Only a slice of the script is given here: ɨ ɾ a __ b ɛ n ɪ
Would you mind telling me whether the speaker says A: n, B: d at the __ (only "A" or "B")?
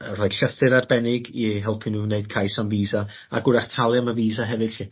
B